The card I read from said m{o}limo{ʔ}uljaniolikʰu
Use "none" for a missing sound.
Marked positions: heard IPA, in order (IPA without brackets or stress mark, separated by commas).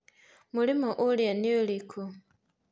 u, ʔ